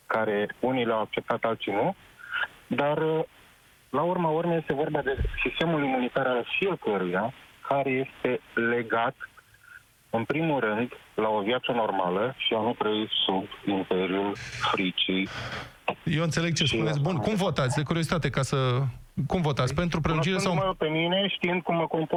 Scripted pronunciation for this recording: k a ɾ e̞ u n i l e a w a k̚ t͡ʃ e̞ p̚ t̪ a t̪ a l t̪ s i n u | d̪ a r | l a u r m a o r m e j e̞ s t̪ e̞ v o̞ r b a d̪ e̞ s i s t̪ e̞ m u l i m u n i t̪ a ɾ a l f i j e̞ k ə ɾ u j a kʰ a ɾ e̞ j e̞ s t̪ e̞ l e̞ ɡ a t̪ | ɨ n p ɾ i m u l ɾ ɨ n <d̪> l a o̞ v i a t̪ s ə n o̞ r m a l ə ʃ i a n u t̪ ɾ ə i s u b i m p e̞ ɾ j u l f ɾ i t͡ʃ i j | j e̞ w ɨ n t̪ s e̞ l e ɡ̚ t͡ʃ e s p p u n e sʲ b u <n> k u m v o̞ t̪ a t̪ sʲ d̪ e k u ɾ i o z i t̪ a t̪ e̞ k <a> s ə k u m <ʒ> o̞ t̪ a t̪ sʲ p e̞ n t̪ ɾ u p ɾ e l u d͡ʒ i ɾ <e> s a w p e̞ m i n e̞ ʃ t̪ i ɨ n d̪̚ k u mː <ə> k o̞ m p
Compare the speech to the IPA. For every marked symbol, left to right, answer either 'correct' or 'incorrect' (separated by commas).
correct, correct, correct, incorrect, correct, correct